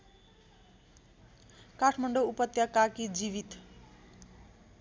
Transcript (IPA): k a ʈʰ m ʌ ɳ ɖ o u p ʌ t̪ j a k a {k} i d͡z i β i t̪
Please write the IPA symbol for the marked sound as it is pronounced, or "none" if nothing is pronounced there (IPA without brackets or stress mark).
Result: k